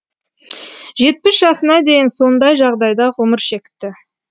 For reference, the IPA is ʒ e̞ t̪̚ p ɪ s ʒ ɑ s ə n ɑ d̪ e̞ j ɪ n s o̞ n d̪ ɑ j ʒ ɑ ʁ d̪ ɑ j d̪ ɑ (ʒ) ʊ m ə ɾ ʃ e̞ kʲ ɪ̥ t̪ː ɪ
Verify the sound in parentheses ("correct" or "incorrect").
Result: incorrect